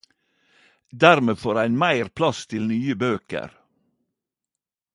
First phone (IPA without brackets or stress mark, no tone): d̪